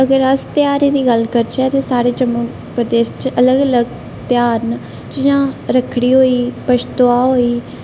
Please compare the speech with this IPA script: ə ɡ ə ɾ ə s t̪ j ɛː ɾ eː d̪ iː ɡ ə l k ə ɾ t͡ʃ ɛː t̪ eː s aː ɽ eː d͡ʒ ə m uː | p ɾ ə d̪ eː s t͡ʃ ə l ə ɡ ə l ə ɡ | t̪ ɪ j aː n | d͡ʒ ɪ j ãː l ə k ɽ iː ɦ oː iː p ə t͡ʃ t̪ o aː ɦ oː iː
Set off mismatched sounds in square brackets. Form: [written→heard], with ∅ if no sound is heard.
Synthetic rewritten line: ə ɡ ə ɾ ə s t̪ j [ɛː→aː] ɾ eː d̪ iː ɡ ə l k ə ɾ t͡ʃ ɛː t̪ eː s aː [ɽ→ɾ] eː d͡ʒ ə m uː | p ɾ ə d̪ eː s t͡ʃ ə l ə ɡ ə l ə ɡ | t̪ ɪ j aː n | d͡ʒ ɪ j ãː [l→ɾ] ə [k→kʰ] ɽ iː ɦ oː iː p ə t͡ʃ t̪ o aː ɦ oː iː